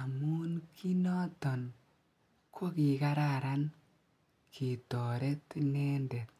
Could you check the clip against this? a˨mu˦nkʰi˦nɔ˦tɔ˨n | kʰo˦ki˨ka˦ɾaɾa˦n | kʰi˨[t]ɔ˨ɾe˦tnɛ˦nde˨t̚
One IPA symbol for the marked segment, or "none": t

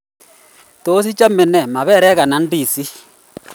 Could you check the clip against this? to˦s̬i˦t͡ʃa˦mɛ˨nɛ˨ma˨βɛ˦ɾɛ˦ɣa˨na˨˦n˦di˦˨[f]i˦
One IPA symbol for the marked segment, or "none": s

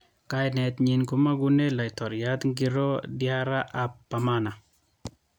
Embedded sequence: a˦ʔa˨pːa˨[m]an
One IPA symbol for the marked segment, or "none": m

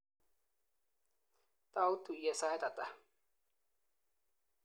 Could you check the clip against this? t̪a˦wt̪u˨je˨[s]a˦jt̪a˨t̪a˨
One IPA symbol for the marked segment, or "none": s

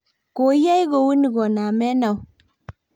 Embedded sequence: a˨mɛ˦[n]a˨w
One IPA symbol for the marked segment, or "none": n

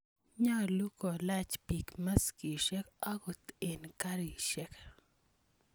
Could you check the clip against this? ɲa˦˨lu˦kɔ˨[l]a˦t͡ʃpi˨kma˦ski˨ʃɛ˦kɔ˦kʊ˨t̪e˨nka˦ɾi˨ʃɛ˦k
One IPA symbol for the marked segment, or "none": l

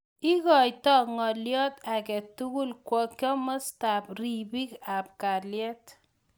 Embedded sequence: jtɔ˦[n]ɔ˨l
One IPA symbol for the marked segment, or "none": ŋ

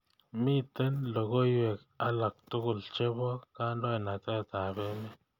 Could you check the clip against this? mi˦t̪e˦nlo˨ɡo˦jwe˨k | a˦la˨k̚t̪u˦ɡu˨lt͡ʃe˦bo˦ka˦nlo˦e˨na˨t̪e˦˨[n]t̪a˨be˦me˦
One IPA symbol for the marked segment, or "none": none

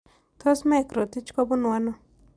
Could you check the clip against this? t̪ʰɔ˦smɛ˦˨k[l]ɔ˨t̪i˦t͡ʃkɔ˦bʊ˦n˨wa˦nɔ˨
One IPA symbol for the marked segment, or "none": ɾ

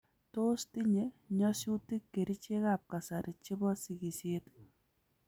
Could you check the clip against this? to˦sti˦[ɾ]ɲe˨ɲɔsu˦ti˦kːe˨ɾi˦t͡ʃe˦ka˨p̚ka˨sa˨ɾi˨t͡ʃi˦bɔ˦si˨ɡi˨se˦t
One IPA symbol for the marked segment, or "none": none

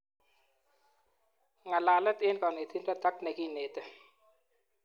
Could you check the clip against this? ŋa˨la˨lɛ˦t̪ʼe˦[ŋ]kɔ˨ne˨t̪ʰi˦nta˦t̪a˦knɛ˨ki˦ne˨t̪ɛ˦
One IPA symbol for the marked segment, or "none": n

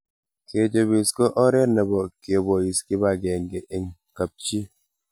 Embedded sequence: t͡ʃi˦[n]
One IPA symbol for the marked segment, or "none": none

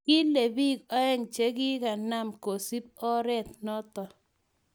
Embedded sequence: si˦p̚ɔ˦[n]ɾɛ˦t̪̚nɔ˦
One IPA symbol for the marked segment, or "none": none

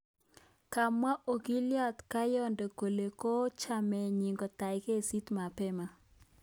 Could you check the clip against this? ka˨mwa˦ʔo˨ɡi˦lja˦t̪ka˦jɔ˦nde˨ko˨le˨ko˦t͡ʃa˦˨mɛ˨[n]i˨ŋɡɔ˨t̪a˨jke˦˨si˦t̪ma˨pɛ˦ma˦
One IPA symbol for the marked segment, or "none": ɲ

